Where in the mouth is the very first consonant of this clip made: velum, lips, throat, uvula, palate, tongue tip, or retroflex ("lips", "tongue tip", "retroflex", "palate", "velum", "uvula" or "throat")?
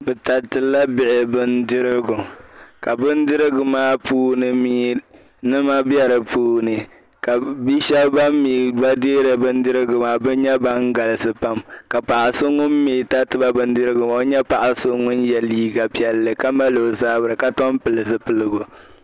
lips